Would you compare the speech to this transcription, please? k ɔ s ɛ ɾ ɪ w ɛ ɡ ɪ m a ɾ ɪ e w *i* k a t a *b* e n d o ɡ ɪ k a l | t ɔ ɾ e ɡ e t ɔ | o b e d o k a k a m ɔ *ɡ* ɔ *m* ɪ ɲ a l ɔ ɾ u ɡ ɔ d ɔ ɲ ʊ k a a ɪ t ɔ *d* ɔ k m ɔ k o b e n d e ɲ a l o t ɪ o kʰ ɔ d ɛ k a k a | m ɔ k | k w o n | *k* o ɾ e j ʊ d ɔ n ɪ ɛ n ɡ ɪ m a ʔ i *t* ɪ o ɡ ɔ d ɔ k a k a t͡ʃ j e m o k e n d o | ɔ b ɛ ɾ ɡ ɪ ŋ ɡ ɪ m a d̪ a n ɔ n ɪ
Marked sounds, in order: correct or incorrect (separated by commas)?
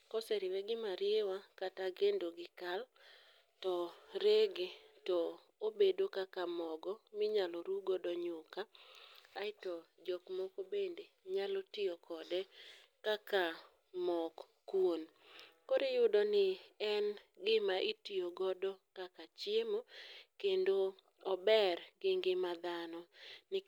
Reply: incorrect, incorrect, correct, correct, incorrect, correct, correct